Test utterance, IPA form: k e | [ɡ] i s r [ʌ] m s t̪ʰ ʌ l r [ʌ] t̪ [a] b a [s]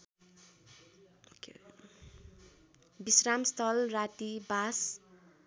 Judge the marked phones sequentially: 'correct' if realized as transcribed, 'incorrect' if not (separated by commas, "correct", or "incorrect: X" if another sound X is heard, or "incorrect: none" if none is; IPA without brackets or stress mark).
incorrect: b, incorrect: a, incorrect: a, incorrect: i, correct